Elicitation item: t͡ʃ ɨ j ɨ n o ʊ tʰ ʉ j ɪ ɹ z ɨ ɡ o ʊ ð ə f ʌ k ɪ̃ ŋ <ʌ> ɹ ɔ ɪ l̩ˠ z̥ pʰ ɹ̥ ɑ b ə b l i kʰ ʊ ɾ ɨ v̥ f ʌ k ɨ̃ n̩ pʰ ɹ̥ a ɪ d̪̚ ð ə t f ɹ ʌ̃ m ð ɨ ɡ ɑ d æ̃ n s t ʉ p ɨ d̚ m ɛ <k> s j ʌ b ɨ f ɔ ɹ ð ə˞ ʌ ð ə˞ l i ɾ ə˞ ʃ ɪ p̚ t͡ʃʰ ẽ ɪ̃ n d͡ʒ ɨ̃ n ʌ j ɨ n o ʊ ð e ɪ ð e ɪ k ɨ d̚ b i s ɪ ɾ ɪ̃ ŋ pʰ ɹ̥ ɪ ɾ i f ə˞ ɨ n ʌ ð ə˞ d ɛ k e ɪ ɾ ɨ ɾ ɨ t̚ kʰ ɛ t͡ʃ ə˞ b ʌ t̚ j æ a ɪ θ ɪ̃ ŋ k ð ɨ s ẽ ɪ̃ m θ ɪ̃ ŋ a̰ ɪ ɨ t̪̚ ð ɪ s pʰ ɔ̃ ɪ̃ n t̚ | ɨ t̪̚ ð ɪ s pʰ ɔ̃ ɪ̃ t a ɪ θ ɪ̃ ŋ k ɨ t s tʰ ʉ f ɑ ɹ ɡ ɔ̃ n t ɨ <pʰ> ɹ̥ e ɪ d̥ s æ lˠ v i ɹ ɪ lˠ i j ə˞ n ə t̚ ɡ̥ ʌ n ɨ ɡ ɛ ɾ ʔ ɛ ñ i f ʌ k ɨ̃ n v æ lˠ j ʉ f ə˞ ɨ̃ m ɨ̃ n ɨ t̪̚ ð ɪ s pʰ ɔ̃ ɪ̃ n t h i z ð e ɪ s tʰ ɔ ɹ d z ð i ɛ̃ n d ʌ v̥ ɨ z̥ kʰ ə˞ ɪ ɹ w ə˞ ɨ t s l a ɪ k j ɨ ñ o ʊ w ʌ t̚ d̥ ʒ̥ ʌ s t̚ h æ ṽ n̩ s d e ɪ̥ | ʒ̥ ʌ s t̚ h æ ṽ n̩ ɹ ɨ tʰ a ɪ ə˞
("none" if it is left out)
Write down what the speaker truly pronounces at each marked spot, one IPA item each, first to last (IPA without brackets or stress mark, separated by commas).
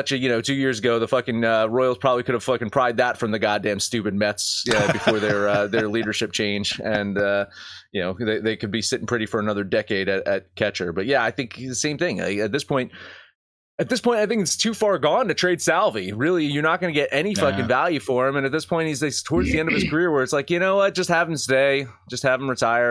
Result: ʌ, t, tʰ